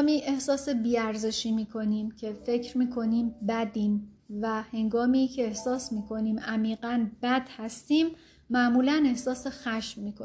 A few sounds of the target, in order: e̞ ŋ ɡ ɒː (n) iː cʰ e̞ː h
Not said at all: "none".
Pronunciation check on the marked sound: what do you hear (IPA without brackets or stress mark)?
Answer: m